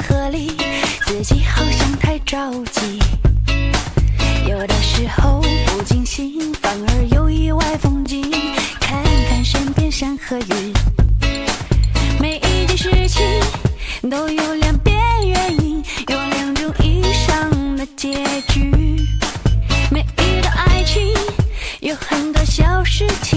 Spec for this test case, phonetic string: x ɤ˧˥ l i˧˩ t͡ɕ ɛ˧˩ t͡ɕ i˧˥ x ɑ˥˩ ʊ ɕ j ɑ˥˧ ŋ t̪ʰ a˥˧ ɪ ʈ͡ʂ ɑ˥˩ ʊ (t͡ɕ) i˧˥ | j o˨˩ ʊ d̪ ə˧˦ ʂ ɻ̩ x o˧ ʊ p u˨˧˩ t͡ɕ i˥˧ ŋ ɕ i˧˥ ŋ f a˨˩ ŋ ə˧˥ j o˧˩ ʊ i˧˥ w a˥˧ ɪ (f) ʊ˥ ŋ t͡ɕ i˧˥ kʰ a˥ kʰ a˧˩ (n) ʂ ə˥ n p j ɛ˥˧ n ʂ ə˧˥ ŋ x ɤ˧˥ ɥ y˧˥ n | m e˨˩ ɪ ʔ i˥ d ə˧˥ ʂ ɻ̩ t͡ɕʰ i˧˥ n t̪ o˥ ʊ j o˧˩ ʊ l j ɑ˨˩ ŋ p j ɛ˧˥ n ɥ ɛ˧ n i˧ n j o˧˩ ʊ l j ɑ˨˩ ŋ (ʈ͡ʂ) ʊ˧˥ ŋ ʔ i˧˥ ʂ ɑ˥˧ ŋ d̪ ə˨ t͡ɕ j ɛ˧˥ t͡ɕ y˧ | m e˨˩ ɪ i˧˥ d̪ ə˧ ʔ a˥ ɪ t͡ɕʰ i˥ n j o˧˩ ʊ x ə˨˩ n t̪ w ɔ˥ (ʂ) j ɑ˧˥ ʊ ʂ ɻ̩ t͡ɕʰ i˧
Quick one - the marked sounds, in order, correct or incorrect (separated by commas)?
correct, correct, correct, correct, incorrect